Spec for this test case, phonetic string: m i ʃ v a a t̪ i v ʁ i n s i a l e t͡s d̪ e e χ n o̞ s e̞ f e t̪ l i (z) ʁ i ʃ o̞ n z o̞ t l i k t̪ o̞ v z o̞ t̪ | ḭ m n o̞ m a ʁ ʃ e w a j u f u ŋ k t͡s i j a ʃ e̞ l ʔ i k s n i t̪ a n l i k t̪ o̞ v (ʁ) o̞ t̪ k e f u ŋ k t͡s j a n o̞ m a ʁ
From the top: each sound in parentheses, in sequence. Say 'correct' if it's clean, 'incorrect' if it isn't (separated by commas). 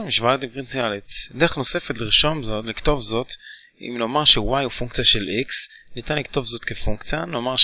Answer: incorrect, incorrect